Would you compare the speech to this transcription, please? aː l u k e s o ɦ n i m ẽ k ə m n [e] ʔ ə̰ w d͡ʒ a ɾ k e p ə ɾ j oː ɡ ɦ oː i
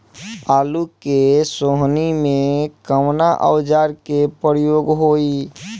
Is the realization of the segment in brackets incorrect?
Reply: yes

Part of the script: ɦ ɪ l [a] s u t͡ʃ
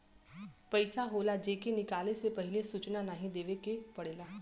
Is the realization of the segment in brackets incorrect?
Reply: yes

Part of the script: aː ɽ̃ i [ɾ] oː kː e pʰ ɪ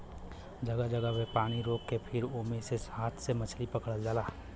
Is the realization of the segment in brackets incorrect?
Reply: no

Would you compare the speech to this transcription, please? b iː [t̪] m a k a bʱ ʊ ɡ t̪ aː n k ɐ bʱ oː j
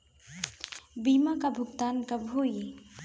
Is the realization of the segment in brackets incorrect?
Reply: yes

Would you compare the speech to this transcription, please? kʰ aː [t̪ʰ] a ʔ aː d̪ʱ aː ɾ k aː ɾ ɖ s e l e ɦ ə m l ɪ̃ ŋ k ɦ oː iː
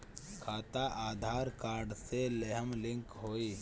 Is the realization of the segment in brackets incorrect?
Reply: yes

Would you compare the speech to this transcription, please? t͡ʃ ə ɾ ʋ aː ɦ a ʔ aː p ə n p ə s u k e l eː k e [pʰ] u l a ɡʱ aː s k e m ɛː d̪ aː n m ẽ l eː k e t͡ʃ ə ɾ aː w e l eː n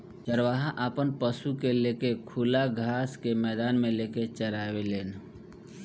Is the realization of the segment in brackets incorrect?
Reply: yes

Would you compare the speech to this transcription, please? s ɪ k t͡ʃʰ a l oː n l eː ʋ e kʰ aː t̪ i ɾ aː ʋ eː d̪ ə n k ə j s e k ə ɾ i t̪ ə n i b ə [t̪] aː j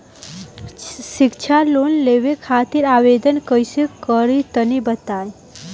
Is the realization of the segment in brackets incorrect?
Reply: no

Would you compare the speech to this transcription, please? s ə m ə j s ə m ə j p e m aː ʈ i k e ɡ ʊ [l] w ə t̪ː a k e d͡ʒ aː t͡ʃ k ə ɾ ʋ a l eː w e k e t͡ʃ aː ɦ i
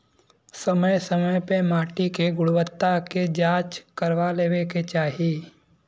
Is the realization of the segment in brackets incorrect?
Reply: yes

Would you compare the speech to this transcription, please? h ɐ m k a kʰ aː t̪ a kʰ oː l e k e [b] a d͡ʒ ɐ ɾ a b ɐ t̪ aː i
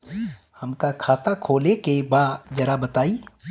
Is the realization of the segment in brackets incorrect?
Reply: no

